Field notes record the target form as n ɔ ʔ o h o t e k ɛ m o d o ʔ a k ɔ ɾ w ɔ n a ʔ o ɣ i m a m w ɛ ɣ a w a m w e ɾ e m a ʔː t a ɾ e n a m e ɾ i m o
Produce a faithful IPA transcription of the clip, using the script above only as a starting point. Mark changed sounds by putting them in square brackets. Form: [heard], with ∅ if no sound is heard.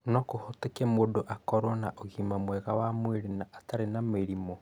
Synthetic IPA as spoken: n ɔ [k] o h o t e k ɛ m o d o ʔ a k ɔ ɾ w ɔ n a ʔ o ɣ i m a m w ɛ ɣ a w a m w e ɾ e [n] a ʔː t a ɾ e n a m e ɾ i m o